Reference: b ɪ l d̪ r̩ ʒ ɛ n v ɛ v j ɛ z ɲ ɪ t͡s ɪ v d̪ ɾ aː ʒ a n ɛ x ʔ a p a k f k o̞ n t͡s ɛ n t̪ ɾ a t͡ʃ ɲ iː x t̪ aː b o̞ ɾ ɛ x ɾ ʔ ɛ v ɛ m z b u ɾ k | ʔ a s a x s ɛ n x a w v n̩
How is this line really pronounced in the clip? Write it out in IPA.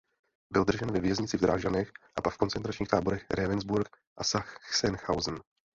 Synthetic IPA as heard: b ɪ l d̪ r̩ ʒ ɛ n v ɛ v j ɛ z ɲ ɪ t͡s ɪ v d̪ ɾ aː ʒ a n ɛ x ʔ a p a k f k o̞ n t͡s ɛ n t̪ ɾ a t͡ʃ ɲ iː x t̪ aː b o̞ ɾ ɛ x ɾ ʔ ɛ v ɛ n z b u ɾ k | ʔ a s a x s ɛ n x a w z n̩